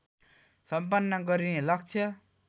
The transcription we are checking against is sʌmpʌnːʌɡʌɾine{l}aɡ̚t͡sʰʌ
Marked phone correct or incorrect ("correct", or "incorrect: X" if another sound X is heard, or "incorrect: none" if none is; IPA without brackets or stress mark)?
correct